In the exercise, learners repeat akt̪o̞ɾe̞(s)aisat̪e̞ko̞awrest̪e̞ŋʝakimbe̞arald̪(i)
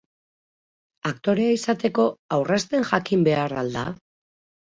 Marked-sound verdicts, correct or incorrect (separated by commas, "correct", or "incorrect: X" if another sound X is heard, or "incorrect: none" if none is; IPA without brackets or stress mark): incorrect: none, incorrect: a